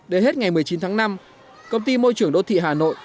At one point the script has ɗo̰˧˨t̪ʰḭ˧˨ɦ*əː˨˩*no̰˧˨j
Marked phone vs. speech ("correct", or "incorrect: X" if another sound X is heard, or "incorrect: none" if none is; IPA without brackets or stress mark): incorrect: aː˨˩